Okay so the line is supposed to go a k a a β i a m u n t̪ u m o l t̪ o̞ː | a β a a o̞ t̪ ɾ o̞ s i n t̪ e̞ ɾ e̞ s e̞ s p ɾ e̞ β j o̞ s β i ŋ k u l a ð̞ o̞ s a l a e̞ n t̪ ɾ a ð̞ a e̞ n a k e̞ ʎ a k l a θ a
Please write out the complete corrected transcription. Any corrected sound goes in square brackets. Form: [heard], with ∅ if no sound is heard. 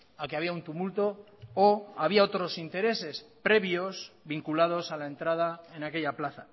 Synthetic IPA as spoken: a k [e] a β i a [∅] u n t̪ u m [u] l t̪ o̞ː | a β [i] a o̞ t̪ ɾ o̞ s i n t̪ e̞ ɾ e̞ s e̞ s p ɾ e̞ β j o̞ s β i ŋ k u l a ð̞ o̞ s a l a e̞ n t̪ ɾ a ð̞ a e̞ n a k e̞ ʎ a [p] l a θ a